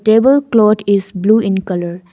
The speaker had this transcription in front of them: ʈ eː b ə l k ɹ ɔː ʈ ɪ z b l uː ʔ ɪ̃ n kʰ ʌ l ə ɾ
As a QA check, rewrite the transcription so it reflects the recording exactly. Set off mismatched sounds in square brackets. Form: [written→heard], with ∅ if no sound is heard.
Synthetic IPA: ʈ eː b ə l k [ɹ→l] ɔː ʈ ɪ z b l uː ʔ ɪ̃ n [kʰ→k] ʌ l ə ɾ